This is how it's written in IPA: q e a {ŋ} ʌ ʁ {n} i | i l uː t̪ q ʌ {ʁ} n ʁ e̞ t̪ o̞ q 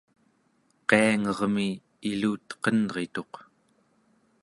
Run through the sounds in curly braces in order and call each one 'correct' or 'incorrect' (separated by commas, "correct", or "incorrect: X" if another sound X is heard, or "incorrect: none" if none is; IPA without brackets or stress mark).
correct, incorrect: m, incorrect: none